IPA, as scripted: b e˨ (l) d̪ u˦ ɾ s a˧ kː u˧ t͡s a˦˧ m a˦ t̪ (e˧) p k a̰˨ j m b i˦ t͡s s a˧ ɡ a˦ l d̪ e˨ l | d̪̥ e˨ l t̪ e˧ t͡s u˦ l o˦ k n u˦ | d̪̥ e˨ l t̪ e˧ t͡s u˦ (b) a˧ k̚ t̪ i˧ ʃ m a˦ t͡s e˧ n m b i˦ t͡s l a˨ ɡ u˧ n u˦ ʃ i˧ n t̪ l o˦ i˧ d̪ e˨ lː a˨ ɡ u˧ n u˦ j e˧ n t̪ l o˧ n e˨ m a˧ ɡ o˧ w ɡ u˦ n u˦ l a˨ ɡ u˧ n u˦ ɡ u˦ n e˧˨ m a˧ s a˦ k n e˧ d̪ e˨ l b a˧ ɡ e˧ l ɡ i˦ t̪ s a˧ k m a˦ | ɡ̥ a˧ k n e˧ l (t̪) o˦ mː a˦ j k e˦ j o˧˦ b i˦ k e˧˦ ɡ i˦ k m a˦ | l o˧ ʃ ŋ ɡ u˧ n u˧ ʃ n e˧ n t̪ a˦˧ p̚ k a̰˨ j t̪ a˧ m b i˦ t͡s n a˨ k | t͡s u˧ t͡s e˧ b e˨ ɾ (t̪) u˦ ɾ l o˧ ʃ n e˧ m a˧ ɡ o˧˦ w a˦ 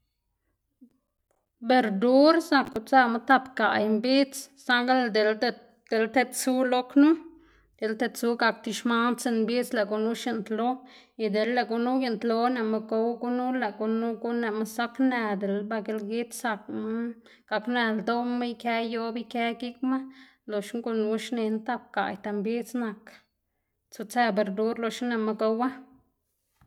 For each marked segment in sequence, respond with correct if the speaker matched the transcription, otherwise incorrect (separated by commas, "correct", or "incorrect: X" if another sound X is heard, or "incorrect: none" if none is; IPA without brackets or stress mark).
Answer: incorrect: ɾ, incorrect: a˧, incorrect: ɡ, incorrect: d̪, incorrect: d̪